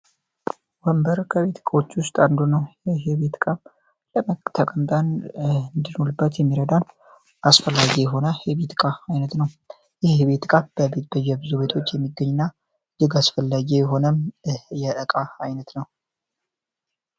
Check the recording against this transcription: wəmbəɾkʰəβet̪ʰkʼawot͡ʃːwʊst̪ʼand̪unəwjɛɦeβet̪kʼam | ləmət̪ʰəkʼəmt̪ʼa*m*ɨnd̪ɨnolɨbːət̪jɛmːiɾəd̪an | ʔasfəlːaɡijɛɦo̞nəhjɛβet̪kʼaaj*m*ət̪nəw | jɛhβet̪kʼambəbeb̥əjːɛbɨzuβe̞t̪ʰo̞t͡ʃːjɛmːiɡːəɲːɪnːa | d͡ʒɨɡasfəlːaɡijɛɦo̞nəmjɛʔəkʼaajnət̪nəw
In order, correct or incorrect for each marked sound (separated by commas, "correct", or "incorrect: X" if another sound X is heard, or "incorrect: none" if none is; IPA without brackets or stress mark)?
incorrect: n, incorrect: n